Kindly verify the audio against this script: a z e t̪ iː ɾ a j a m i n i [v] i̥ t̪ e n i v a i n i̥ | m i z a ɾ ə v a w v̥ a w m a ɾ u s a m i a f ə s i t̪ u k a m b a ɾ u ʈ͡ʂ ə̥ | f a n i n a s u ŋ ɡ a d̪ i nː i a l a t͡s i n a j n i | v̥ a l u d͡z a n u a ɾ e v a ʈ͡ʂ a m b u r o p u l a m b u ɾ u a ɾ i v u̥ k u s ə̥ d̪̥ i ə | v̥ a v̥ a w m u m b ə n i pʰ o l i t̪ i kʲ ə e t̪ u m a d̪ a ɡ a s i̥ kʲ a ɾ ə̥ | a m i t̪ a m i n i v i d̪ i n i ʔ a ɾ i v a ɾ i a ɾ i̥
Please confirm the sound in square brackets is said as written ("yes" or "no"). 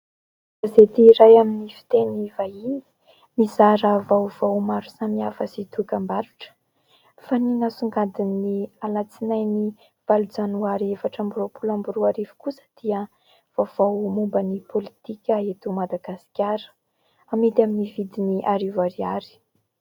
no